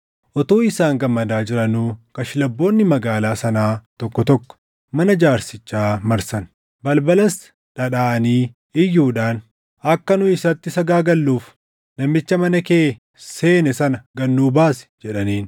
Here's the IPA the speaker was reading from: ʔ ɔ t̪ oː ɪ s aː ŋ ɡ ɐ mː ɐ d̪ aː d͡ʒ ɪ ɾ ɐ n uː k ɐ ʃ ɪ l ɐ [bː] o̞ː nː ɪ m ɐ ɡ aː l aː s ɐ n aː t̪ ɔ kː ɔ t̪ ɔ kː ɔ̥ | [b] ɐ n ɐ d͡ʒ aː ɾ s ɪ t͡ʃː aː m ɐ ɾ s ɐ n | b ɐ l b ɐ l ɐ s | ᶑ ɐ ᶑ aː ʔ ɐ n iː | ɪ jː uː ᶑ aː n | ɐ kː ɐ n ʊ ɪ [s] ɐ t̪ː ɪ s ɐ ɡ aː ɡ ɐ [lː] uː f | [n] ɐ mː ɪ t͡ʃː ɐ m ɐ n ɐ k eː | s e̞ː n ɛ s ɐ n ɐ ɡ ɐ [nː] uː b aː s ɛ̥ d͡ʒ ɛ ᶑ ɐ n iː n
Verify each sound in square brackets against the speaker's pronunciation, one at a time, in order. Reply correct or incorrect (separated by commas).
correct, incorrect, correct, correct, correct, correct